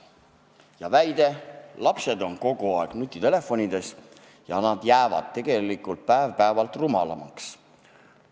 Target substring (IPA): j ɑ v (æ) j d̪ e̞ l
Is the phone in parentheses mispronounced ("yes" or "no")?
no